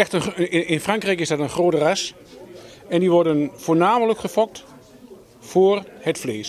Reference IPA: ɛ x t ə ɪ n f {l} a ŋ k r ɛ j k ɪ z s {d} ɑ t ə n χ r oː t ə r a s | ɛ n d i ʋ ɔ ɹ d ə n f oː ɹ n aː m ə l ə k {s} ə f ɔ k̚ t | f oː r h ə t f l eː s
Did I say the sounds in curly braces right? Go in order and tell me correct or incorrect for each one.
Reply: incorrect: r, correct, incorrect: χ

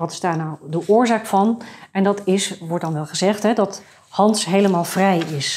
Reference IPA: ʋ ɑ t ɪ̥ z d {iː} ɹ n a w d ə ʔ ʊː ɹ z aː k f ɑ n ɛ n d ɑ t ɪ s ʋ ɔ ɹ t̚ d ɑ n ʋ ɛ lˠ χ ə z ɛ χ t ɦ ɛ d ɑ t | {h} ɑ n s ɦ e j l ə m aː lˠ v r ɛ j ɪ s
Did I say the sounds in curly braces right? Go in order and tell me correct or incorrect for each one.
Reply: incorrect: aː, correct

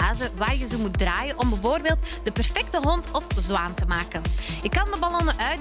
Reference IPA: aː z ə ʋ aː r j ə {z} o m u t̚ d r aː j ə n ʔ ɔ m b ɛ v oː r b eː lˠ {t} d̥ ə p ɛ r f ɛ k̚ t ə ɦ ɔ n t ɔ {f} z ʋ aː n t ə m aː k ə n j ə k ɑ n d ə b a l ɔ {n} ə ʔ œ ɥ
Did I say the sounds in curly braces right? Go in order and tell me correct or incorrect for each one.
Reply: correct, correct, correct, correct

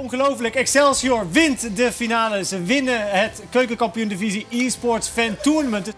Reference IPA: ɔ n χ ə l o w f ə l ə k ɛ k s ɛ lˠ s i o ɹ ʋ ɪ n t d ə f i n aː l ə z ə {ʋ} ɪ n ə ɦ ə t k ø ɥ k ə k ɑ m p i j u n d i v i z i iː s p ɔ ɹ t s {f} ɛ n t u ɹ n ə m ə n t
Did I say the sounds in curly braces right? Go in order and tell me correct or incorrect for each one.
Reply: correct, correct

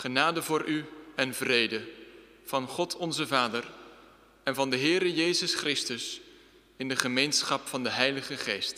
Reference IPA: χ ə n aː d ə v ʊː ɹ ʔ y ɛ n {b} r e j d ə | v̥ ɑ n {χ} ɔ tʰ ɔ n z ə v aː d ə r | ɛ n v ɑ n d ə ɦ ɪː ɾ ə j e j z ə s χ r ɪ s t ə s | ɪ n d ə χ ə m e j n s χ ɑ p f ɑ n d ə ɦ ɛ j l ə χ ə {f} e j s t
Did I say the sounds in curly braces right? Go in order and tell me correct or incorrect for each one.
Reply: incorrect: v, correct, incorrect: χ

